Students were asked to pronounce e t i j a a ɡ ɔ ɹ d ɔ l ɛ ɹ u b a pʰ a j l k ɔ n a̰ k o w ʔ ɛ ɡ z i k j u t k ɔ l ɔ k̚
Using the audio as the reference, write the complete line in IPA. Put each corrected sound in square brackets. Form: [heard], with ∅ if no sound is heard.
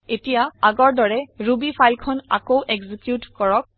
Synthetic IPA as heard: e t i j a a ɡ ɔ ɹ d ɔ [ɹ] ɛ ɹ u b [i] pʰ a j l [kʰ] ɔ n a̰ k o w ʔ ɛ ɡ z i k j u t k ɔ [ɹ] ɔ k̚